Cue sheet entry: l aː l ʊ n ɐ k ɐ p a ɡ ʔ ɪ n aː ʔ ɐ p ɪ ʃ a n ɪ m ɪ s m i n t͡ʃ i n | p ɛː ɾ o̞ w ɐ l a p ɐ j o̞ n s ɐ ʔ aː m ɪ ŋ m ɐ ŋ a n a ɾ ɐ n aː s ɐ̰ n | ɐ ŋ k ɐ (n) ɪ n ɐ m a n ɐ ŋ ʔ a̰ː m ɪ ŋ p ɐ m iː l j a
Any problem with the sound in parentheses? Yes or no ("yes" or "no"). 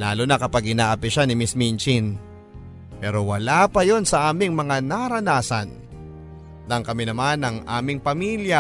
yes